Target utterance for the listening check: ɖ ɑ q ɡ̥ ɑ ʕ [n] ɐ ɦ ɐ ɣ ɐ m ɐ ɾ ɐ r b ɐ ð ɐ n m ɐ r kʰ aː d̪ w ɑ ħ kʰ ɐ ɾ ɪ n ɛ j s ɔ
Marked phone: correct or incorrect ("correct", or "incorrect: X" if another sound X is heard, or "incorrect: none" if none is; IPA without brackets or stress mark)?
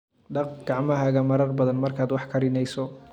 incorrect: m